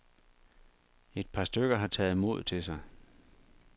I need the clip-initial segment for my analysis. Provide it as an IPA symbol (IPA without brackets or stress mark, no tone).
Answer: e̝